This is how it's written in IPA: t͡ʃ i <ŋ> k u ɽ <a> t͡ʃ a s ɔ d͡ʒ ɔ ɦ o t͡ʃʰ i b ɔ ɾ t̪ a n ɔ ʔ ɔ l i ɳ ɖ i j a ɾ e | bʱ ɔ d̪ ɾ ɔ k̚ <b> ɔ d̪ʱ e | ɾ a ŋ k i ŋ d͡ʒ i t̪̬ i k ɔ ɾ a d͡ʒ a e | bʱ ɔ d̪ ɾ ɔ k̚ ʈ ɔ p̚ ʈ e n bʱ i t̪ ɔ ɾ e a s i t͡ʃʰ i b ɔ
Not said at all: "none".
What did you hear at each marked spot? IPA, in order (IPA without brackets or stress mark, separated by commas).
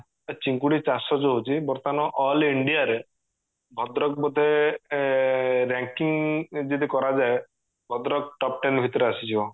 ŋ, i, b